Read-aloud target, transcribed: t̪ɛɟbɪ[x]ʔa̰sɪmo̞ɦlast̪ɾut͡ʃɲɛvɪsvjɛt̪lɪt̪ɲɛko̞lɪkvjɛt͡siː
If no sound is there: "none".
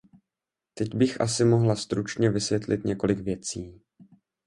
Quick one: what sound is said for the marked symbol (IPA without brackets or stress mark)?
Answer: x